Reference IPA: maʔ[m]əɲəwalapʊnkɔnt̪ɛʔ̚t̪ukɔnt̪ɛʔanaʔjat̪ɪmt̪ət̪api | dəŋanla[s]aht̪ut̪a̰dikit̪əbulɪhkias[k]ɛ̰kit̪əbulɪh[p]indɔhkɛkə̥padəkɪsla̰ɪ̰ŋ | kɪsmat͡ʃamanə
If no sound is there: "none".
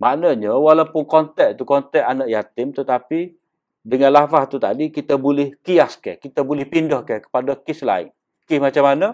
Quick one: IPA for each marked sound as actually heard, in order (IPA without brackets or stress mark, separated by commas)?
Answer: n, f, k, p